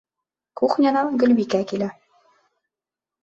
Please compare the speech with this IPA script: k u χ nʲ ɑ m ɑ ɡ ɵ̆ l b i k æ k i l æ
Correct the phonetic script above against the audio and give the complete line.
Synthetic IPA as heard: k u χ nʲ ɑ n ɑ ɡ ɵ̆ l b i k æ k i l æ